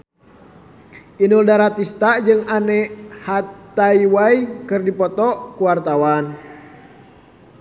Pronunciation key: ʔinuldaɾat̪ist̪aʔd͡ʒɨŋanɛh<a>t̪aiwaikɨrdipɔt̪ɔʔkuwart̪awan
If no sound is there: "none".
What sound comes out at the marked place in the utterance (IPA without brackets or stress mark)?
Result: a